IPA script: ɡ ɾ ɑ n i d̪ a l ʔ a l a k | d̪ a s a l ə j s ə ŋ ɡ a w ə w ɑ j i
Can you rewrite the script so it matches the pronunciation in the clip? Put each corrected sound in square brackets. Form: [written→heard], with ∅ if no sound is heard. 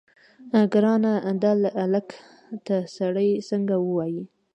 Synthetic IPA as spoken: ɡ ɾ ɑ n [i→a] d̪ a l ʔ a l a k | [d̪→t̪] a s a [l→ɽ] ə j s ə ŋ ɡ a w ə w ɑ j i